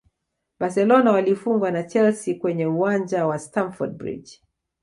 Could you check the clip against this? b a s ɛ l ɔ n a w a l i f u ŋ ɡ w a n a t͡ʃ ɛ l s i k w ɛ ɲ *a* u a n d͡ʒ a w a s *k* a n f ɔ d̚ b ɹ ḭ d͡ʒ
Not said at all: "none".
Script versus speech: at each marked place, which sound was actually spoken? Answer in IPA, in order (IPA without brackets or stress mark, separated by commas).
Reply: ɛ, t